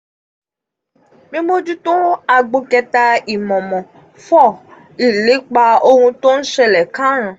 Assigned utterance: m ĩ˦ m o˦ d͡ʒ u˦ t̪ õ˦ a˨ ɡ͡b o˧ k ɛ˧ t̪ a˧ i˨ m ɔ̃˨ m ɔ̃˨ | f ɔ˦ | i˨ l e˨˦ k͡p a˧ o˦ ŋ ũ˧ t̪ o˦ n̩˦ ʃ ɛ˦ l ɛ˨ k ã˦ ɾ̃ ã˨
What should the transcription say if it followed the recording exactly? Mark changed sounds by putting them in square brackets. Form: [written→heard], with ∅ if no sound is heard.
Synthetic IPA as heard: m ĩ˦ m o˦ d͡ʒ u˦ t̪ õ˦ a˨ ɡ͡b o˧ k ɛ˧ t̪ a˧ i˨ m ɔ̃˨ m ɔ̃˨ | f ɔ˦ | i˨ l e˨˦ k͡p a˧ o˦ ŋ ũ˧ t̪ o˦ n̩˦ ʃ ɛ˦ l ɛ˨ k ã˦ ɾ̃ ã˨